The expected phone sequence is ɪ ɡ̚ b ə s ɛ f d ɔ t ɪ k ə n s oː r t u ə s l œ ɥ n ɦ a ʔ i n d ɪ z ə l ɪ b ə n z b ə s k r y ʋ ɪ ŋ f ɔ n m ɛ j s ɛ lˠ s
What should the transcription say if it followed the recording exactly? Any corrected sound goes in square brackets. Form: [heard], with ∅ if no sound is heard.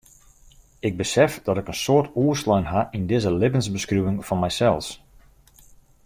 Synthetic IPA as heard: ɪ ɡ̚ b ə s ɛ f d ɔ t ɪ k ə n s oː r t u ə s l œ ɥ n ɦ a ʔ i n d ɪ z ə l ɪ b ə n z b ə s k r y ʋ ɪ ŋ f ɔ n m ɛ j s ɛ lˠ s